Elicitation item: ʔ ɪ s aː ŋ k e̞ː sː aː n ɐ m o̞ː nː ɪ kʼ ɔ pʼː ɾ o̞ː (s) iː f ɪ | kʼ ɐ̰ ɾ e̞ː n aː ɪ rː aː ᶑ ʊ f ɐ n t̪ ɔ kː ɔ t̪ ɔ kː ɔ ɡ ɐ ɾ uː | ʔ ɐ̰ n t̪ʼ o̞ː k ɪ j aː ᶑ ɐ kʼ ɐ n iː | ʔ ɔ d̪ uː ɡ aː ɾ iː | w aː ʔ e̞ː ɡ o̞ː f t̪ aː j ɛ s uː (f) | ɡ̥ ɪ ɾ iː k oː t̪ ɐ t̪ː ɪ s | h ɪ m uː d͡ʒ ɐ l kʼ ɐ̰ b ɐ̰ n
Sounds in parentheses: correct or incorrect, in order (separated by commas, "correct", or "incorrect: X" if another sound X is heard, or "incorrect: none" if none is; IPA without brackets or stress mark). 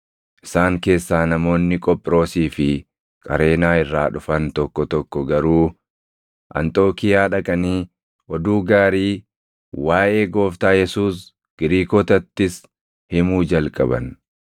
correct, incorrect: s